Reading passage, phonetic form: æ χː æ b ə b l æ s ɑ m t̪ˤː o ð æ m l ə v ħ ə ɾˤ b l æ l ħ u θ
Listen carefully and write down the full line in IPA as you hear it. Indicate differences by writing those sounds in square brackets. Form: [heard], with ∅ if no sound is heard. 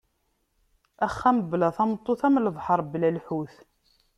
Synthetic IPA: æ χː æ [m] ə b l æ [θ] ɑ m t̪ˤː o [θ] æ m l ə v ħ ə ɾˤ b l æ l ħ u θ